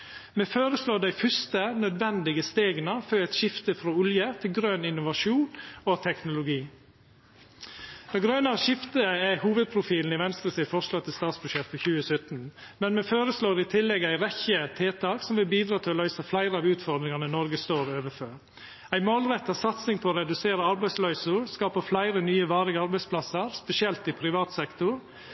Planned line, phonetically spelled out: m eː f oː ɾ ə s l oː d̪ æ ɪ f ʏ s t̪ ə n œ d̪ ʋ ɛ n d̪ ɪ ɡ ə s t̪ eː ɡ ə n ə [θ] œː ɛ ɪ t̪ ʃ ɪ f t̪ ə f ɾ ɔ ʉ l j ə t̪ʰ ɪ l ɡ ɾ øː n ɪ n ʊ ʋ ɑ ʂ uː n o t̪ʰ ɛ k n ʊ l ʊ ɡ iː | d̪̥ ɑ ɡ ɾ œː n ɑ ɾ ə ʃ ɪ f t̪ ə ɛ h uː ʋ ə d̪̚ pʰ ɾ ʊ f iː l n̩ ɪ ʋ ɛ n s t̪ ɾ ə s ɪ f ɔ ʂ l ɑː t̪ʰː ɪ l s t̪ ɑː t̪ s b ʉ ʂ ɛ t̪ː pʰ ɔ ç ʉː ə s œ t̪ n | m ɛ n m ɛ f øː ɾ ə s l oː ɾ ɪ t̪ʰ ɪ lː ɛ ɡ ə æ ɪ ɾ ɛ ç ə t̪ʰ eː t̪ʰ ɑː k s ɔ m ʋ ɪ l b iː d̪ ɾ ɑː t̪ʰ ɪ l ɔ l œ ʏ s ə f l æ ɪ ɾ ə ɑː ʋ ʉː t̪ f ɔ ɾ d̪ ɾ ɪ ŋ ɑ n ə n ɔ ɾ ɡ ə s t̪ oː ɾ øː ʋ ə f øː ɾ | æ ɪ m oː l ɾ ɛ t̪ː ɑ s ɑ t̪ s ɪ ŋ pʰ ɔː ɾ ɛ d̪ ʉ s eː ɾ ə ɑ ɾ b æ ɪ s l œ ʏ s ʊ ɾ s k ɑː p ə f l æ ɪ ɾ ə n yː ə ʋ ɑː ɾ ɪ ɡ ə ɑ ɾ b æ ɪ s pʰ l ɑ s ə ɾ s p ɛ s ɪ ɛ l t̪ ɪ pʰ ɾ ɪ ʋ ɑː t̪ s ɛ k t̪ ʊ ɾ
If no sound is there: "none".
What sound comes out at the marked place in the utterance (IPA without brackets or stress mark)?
f